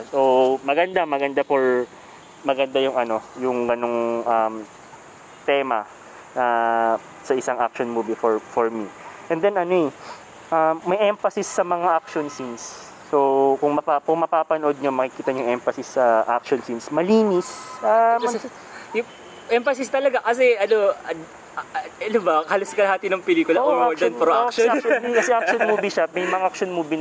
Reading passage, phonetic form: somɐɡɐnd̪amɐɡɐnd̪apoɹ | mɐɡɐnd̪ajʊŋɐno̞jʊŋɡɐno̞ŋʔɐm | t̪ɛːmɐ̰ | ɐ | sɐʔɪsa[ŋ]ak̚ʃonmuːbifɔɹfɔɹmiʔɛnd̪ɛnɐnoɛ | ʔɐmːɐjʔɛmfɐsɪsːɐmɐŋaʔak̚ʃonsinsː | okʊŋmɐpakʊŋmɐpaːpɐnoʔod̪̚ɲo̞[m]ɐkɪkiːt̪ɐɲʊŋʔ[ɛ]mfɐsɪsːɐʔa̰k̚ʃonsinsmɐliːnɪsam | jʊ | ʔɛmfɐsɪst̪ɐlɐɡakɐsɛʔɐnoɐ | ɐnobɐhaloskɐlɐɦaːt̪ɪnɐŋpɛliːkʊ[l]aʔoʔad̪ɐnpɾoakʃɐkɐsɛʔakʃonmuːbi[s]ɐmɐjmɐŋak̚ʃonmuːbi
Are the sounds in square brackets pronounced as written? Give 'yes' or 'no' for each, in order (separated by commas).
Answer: yes, yes, yes, yes, no